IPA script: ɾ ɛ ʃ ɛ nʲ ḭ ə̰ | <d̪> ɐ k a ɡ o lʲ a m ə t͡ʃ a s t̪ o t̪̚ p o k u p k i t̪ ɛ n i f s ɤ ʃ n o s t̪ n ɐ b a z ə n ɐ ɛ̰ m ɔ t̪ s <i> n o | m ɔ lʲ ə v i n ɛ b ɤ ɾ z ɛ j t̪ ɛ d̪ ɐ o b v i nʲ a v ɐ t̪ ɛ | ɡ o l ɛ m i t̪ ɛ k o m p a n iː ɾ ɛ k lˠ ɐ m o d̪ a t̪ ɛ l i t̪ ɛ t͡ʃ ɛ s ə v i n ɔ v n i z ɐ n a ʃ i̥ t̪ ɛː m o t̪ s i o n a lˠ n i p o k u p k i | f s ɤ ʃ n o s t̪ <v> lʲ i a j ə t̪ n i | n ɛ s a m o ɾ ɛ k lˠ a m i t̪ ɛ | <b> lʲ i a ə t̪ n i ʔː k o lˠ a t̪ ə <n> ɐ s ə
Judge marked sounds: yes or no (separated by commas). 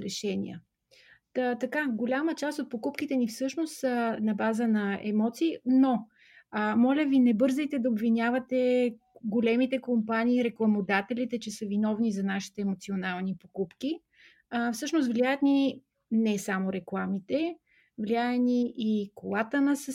no, no, yes, no, yes